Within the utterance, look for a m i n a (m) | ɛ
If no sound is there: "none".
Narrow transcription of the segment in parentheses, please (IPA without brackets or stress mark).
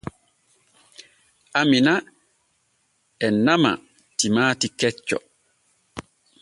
none